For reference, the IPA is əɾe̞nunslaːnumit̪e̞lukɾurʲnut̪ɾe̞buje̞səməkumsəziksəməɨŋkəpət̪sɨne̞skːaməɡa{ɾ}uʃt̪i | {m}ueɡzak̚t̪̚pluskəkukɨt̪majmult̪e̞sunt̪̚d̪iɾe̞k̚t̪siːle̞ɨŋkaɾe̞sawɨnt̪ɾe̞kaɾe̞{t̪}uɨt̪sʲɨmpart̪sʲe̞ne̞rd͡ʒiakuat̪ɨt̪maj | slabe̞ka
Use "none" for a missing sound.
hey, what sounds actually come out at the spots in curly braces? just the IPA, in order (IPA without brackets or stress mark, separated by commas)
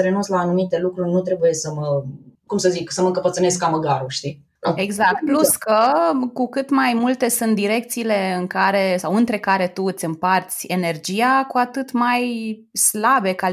ɾ, n, t̪